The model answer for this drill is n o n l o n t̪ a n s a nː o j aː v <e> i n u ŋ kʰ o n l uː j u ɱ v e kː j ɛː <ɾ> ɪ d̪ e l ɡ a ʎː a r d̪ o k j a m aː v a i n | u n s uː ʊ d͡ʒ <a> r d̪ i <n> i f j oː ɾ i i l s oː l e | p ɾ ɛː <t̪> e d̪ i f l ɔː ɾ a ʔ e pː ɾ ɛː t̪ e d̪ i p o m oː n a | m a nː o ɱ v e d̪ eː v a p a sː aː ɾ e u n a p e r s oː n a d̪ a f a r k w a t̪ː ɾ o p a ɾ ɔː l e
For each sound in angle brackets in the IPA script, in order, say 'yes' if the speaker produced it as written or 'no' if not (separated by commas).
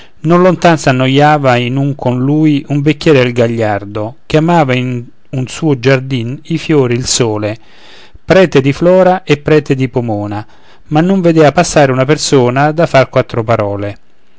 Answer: no, yes, yes, yes, yes